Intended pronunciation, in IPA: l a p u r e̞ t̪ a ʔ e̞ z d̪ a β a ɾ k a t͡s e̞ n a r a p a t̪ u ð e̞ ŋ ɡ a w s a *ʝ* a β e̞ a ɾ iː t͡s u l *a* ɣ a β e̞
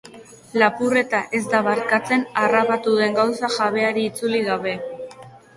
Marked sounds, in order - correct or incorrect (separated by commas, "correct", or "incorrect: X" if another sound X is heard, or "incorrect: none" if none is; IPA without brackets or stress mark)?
correct, incorrect: i